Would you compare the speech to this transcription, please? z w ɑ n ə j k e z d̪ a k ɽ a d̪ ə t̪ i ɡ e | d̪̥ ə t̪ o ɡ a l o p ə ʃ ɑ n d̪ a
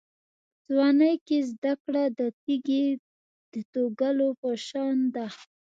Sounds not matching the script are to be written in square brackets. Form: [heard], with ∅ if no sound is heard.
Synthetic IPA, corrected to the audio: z w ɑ n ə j k e z d̪ a k ɽ a d̪ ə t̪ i ɡ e | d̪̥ ə t̪ o ɡ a l o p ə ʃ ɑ n d̪ a